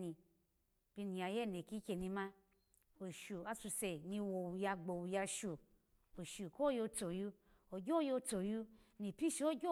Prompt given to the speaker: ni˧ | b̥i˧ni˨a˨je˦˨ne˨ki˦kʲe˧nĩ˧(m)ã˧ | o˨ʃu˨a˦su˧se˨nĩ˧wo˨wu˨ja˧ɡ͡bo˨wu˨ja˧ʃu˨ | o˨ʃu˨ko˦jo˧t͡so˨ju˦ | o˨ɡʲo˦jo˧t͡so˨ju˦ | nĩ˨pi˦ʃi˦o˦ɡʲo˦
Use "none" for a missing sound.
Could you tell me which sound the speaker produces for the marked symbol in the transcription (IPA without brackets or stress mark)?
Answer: m